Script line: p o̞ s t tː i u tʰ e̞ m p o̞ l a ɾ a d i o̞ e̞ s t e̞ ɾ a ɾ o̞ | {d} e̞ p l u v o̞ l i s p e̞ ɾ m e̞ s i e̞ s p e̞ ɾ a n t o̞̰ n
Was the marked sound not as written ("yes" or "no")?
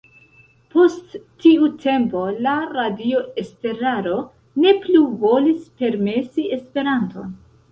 yes